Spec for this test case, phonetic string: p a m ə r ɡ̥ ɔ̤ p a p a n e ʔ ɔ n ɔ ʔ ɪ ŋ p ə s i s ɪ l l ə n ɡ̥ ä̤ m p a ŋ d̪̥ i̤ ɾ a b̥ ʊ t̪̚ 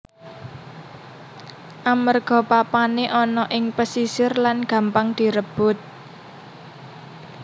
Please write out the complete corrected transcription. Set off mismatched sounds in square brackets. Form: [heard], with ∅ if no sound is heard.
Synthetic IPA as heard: [ʔ] a m ə r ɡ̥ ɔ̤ p a p a n e ʔ ɔ n ɔ ʔ ɪ ŋ p ə s i s ɪ [r] l [a] n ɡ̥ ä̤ m p a ŋ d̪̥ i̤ ɾ [ə] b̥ ʊ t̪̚